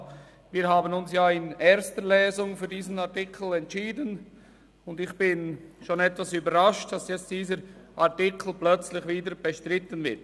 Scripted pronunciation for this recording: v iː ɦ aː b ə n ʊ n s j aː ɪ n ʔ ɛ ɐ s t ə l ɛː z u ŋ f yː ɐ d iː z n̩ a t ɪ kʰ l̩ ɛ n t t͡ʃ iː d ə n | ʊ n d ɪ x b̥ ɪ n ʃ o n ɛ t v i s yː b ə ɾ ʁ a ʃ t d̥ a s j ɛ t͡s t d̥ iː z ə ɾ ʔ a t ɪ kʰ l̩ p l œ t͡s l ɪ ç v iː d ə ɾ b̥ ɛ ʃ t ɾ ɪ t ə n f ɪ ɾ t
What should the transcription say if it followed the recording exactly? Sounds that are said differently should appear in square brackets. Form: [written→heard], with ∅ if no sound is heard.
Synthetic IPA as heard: v iː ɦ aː b ə n ʊ n s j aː ɪ n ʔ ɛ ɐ s t ə l ɛː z [u→ʊ] ŋ f yː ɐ d iː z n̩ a t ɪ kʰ l̩ ɛ n t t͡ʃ iː d ə n | ʊ n d ɪ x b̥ ɪ n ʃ o n ɛ t v [i→a] s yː b ə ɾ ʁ a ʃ t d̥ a s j ɛ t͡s t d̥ iː z ə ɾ ʔ a t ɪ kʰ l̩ p l œ t͡s l ɪ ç v iː d ə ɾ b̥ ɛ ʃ t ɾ ɪ t ə n [f→v] ɪ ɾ t